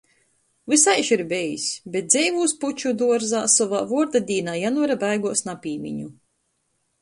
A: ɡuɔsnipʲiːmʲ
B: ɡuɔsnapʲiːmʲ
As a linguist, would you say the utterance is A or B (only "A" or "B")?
B